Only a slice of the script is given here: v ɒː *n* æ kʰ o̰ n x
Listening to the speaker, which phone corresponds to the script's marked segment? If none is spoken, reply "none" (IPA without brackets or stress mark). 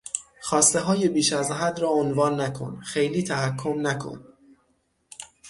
nː